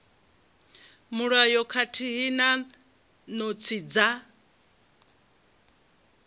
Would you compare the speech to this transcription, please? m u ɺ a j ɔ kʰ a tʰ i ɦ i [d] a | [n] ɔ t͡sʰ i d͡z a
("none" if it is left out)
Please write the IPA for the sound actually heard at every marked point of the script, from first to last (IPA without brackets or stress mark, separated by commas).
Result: n, n